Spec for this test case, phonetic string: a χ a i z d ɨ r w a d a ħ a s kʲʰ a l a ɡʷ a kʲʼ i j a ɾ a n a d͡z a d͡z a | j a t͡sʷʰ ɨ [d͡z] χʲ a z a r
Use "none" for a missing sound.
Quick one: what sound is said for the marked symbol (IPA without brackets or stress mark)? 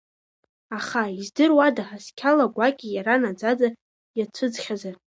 d͡z